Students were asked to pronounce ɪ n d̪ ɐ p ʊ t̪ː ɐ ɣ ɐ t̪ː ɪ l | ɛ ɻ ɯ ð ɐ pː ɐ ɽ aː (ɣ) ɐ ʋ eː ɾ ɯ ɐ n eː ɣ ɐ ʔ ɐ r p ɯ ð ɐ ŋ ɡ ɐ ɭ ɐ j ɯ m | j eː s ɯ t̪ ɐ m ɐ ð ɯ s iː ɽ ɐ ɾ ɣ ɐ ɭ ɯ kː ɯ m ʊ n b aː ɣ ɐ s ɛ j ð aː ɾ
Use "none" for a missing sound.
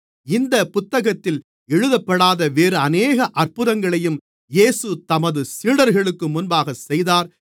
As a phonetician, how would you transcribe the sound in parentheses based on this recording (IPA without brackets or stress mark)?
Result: ð